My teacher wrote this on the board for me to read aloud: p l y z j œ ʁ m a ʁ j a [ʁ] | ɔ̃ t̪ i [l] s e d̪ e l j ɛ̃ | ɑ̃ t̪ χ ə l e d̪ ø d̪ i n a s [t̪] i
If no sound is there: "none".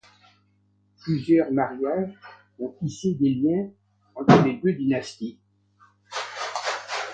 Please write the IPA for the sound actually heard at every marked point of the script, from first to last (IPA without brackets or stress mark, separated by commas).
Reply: ʒ, none, t̪